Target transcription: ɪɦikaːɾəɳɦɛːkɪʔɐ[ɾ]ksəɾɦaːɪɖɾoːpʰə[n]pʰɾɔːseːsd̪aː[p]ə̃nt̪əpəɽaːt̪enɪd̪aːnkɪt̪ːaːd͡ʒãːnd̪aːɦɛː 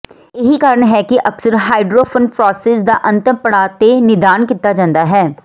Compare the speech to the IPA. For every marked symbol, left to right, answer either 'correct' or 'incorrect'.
incorrect: none, correct, incorrect: ʔ

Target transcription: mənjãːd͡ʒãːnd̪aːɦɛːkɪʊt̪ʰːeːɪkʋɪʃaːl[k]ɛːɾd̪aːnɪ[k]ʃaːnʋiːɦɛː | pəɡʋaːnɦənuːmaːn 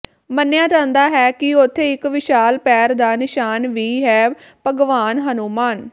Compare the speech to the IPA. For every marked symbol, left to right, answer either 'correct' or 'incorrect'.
incorrect: p, incorrect: none

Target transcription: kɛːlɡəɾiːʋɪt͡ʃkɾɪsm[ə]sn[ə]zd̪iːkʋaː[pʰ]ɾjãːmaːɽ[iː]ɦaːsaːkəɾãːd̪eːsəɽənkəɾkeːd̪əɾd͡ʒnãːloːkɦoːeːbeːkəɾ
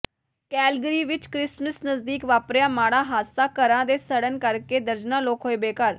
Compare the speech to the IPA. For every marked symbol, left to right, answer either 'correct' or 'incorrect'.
correct, correct, incorrect: p, incorrect: aː

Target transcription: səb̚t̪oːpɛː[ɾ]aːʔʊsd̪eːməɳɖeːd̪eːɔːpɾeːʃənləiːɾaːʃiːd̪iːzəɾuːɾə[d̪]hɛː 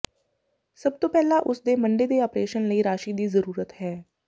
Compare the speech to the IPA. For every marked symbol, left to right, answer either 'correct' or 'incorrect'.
incorrect: l, incorrect: t̪

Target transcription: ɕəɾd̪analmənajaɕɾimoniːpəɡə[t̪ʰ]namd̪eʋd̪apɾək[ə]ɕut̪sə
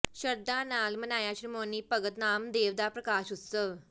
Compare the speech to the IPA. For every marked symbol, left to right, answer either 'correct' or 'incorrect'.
incorrect: t̪, incorrect: a

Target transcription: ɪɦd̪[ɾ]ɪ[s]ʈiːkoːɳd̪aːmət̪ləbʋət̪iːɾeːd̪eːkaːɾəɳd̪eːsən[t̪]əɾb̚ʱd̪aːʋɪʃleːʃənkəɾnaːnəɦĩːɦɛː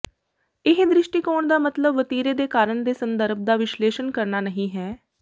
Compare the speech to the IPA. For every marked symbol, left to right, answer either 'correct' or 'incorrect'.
correct, incorrect: ʃ, incorrect: d̪

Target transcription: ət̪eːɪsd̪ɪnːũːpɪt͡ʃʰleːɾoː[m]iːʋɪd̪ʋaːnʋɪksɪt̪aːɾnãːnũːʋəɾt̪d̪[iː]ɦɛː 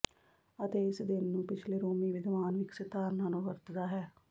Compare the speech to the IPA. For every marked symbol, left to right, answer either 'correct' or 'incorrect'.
correct, incorrect: aː

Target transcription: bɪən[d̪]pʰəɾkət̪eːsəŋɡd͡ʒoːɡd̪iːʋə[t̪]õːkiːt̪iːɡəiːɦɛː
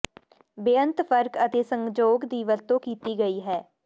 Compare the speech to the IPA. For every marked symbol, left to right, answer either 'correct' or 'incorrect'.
incorrect: t̪, correct

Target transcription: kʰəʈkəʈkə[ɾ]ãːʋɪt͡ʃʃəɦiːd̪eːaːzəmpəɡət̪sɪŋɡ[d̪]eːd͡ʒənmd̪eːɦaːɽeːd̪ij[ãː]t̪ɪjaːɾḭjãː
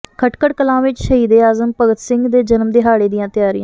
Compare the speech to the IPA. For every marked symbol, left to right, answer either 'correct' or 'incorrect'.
incorrect: l, correct, correct

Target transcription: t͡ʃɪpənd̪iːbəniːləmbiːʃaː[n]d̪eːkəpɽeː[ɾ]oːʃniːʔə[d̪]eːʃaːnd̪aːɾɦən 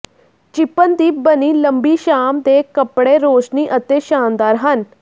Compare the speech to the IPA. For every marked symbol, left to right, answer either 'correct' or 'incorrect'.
incorrect: m, correct, incorrect: t̪

